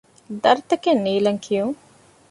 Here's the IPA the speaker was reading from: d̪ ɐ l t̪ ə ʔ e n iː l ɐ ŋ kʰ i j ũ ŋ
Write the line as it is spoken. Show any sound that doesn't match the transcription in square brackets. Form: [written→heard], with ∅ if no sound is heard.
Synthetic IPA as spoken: d̪ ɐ [l→ɾ] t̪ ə [ʔ→k] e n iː l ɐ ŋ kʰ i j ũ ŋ